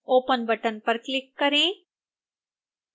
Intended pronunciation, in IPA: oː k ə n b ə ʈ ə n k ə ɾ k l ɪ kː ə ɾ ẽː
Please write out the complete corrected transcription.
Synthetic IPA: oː p ə n b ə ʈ ə n p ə ɾ k l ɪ kː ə ɾ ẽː